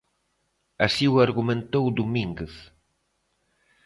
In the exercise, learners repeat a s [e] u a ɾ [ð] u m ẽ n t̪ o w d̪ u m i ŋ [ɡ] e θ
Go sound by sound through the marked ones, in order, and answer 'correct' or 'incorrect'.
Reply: incorrect: i, incorrect: ɣ, correct

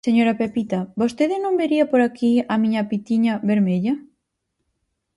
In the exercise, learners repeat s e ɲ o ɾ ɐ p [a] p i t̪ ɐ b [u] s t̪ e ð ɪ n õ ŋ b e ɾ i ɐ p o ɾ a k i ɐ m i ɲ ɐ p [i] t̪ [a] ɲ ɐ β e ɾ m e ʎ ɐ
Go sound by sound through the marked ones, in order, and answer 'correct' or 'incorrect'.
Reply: incorrect: e, incorrect: o, correct, incorrect: i

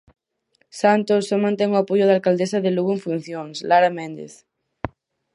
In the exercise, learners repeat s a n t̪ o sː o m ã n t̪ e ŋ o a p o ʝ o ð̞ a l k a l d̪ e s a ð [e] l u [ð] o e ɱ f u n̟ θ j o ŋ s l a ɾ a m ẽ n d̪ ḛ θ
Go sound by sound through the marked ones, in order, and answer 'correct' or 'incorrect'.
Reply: correct, incorrect: ɣ

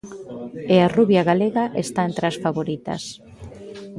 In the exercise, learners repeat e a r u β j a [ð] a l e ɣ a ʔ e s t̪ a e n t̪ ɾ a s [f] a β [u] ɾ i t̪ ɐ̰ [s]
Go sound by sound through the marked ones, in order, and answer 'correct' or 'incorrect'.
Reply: incorrect: ɣ, correct, incorrect: o, correct

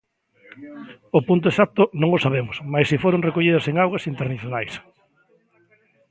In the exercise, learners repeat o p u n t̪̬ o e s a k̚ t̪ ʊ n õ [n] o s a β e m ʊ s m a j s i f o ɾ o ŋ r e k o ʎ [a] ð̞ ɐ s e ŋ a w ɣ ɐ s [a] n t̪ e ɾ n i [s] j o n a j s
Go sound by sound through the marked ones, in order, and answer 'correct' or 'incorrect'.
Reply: incorrect: ŋ, incorrect: i, incorrect: i, incorrect: θ

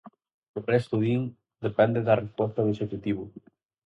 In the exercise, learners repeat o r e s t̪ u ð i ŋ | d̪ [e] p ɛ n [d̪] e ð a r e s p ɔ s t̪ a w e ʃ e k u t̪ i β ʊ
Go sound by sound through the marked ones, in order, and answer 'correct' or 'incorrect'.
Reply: correct, correct

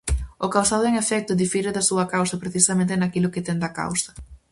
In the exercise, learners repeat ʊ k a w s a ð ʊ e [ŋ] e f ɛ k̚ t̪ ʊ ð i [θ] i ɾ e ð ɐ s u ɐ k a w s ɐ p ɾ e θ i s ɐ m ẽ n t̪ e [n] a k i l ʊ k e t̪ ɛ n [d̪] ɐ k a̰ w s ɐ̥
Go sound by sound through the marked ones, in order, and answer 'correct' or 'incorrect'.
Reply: correct, incorrect: f, correct, correct

